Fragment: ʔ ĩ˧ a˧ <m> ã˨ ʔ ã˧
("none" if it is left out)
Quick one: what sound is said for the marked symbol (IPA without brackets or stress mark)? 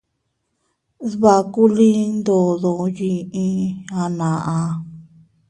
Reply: n